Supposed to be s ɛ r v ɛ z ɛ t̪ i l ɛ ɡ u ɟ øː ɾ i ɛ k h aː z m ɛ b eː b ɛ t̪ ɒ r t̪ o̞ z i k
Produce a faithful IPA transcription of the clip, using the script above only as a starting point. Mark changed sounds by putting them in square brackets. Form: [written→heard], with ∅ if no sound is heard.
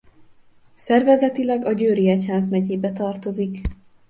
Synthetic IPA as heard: s ɛ r v ɛ z ɛ t̪ i l ɛ ɡ [u→ɒ] ɟ øː ɾ i ɛ [k→c] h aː z m ɛ [b→ɟ] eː b ɛ t̪ ɒ r t̪ o̞ z i k